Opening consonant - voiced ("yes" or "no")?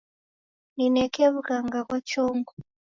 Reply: yes